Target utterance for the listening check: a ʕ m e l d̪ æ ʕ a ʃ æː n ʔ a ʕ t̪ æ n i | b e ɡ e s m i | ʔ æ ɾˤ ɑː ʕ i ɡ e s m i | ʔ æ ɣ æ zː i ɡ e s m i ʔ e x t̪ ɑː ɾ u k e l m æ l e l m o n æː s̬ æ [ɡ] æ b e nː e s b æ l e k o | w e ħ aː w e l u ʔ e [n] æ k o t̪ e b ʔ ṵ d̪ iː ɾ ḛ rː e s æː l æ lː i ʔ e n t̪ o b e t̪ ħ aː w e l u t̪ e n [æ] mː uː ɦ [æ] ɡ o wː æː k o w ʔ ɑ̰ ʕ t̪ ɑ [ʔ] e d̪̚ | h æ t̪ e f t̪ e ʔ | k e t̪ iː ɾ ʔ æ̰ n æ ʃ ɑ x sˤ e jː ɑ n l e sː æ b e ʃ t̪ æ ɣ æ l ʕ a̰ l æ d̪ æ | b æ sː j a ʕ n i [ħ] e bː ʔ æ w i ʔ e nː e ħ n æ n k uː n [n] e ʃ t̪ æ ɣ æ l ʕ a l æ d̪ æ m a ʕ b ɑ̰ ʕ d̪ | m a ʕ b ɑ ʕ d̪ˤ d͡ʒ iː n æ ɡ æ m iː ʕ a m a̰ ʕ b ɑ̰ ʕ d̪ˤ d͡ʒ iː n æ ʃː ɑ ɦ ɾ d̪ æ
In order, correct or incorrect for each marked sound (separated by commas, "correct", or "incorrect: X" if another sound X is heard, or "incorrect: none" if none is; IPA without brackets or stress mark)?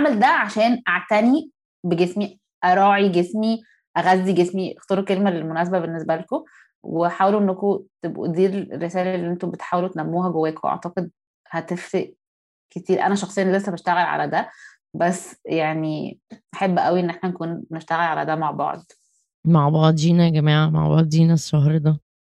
incorrect: b, incorrect: nː, correct, correct, incorrect: q, correct, correct